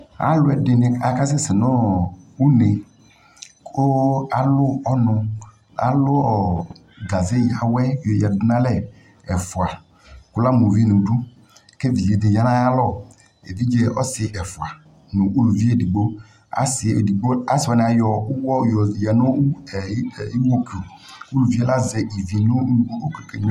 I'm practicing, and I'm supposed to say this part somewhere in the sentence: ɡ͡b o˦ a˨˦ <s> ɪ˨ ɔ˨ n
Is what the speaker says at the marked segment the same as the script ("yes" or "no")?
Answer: yes